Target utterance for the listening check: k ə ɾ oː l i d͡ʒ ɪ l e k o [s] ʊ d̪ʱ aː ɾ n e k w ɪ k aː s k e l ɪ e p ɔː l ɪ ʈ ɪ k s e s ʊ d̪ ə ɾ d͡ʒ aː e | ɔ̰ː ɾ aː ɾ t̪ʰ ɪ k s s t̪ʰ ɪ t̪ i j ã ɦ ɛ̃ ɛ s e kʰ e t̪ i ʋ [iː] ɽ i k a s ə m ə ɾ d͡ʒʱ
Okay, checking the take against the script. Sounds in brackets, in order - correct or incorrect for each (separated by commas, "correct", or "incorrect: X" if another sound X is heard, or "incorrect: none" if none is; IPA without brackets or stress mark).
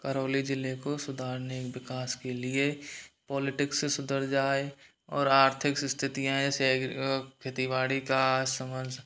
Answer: correct, incorrect: aː